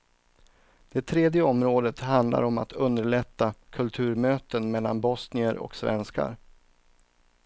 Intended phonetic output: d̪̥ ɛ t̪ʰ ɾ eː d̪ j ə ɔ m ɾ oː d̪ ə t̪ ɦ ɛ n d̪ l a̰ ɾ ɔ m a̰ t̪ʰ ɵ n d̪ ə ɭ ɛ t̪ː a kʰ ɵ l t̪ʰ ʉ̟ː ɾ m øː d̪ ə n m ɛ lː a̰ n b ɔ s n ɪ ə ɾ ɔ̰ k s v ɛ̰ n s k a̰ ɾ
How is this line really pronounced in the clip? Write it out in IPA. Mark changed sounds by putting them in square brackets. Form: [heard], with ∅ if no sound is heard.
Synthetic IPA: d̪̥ ɛ t̪ʰ ɾ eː d̪ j ə ɔ m ɾ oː d̪ ə t̪ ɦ [a] n d̪ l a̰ ɾ ɔ m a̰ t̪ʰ ɵ n d̪ ə ɭ ɛ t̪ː a kʰ ɵ l t̪ʰ ʉ̟ː ɾ m øː [t̪] ə n m ɛ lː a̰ n b ɔ s n ɪ ə ɾ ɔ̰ k s v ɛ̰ n s k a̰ ɾ